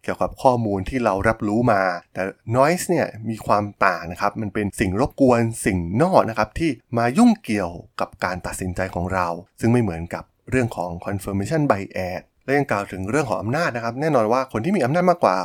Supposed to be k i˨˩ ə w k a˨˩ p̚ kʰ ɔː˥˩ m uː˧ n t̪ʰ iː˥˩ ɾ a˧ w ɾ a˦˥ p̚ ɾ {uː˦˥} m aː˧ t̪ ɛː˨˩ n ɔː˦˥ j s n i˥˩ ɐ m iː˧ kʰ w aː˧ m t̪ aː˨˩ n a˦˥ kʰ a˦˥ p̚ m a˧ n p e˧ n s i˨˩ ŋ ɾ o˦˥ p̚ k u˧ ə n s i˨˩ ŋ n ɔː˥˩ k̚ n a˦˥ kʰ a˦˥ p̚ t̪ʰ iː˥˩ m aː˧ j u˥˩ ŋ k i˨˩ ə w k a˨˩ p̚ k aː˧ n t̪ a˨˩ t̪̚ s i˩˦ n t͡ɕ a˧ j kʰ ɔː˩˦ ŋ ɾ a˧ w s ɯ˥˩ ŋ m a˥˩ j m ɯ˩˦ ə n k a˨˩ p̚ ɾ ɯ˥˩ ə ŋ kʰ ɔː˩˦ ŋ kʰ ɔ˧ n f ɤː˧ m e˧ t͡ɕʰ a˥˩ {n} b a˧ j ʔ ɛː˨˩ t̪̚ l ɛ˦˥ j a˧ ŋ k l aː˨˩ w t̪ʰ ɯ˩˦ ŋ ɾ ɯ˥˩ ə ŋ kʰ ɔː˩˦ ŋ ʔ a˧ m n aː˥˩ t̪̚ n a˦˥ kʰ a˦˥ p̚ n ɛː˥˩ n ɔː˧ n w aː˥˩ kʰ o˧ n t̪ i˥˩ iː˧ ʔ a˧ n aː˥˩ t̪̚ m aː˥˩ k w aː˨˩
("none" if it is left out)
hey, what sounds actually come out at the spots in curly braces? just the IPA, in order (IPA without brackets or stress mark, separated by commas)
uː˦˥, n